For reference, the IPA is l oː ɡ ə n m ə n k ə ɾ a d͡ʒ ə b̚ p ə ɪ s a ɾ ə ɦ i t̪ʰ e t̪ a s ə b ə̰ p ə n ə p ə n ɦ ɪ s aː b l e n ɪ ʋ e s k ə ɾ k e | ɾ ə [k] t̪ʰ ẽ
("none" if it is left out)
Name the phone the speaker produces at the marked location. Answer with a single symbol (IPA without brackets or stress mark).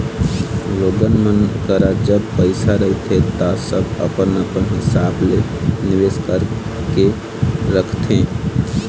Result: kʰ